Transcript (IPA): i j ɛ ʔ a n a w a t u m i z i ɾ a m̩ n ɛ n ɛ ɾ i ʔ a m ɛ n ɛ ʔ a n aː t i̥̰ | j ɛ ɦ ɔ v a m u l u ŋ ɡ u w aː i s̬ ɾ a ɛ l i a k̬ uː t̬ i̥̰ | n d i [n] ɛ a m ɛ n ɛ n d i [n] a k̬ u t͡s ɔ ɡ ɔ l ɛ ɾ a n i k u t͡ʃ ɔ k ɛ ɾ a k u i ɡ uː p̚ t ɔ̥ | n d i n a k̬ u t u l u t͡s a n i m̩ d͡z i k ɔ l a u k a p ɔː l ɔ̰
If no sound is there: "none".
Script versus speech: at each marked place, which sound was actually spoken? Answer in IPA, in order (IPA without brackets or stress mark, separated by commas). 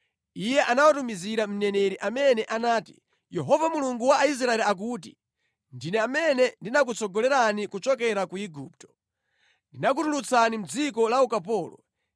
n, n